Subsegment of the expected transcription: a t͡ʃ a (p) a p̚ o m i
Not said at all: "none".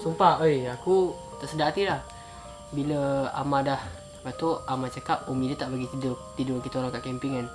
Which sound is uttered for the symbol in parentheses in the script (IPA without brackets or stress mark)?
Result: k